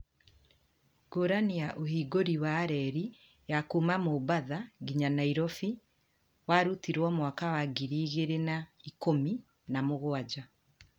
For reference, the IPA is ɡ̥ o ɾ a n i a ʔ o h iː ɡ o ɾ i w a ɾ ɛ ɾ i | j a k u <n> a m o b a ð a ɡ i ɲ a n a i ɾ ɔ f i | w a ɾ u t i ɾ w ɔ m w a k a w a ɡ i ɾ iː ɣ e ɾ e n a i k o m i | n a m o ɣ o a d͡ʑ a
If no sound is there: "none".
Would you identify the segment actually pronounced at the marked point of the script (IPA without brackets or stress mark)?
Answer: m